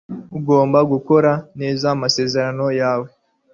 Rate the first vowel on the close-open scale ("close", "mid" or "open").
close